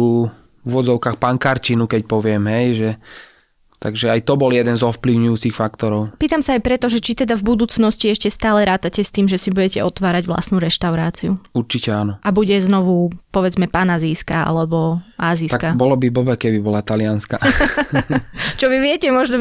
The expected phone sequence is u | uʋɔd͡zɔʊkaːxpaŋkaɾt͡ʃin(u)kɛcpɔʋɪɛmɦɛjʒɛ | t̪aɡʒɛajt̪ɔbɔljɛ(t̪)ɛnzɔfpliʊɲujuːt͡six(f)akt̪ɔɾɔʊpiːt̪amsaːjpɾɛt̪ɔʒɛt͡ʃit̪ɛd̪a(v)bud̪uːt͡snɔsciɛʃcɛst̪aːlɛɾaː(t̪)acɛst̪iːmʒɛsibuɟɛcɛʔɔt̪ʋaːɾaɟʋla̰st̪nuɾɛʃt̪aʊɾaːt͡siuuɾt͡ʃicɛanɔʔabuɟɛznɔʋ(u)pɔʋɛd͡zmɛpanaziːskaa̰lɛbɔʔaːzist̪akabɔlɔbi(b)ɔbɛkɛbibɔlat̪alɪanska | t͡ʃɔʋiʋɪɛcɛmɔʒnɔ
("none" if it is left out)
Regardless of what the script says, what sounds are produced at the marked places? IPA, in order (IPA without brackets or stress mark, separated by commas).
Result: u, d̪, f, v, t̪, u, b